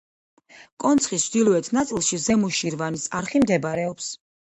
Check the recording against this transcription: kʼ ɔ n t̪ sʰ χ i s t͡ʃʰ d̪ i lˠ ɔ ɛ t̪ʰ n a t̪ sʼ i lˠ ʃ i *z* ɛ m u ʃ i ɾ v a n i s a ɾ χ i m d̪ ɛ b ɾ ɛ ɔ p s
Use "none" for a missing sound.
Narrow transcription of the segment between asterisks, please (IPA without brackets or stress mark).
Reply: z